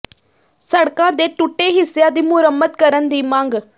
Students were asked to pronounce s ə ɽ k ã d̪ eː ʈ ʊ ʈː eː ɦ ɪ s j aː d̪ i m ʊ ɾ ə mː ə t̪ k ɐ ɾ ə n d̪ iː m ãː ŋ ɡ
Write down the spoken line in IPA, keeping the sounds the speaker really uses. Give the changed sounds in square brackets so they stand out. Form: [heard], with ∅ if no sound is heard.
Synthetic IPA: s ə ɽ k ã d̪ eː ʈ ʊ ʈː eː ɦ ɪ s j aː d̪ i m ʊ ɾ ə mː ə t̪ k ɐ ɾ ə n d̪ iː m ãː ŋ ɡ